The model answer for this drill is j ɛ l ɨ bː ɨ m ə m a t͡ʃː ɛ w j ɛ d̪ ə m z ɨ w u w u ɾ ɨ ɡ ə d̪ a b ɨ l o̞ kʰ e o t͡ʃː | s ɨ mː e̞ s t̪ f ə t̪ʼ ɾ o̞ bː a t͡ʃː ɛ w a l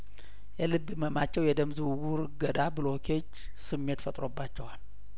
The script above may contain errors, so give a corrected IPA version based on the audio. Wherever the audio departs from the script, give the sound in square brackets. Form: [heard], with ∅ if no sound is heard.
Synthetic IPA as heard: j ɛ l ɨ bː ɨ m ə m a t͡ʃː ɛ w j ɛ d̪ ə m z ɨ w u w u ɾ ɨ ɡ ə d̪ a b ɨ l o̞ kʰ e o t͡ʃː | s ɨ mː e̞ [∅] t̪ f ə t̪ʼ ɾ o̞ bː a t͡ʃː ɛ w a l